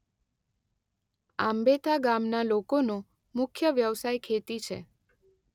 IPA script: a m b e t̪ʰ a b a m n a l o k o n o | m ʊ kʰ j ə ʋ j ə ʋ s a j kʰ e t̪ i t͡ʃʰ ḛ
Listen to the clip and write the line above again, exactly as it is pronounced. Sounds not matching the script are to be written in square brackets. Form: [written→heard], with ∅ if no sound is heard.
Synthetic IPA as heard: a m b e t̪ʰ a [b→ɡ] a m n a l o k o n o | m ʊ kʰ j ə ʋ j ə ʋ s a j kʰ e t̪ i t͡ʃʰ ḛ